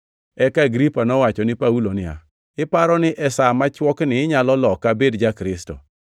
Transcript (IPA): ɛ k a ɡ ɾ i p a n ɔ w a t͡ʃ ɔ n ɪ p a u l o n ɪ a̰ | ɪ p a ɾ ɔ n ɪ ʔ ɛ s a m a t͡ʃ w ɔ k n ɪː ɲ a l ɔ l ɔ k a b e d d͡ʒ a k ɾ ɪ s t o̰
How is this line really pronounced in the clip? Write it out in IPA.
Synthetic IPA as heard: ɛ k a ɡ ɾ i p a n ɔ w a t͡ʃ ɔ n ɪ p a u l o n ɪ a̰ | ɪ p a ɾ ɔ n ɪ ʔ ɛ s a m a t͡ʃ w ɔ k n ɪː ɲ a l ɔ l ɔ k a b e d d͡ʒ a k ɾ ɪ s t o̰